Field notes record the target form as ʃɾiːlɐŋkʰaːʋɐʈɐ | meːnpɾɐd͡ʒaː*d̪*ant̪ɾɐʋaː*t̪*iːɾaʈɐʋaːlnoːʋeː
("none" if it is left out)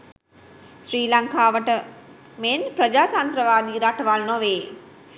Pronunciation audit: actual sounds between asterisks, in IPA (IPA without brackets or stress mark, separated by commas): t̪, d̪